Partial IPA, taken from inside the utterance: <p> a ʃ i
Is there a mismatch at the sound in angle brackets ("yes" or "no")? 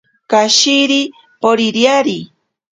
yes